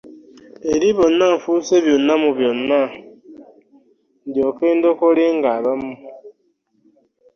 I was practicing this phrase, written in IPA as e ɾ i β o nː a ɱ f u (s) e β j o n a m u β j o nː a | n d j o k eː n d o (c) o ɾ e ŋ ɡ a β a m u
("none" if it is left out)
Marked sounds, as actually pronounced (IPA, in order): s, k

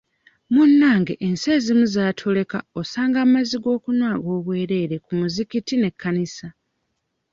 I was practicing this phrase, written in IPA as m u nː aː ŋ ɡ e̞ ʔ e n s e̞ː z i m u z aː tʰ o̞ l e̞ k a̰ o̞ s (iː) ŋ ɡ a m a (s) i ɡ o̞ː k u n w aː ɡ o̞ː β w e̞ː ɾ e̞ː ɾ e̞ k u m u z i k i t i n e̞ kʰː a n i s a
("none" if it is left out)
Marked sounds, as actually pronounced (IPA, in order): aː, z

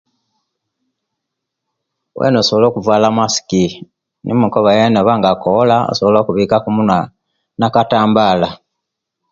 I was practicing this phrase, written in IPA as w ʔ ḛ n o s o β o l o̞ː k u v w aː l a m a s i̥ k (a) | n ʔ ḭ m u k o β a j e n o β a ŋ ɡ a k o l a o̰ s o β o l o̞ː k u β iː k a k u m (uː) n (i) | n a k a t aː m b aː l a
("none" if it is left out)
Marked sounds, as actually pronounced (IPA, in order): i, u, a

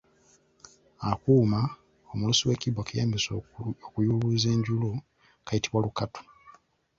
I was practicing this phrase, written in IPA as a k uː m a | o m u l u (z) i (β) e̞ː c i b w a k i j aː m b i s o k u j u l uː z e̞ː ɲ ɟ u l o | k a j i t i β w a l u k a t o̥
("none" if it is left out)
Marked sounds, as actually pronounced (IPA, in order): s, w

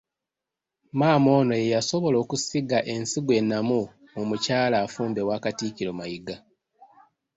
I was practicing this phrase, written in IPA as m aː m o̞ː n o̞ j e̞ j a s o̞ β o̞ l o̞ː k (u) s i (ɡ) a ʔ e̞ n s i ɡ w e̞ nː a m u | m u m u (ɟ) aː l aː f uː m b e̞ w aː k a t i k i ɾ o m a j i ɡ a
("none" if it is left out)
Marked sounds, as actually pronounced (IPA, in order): u, ɡ, c

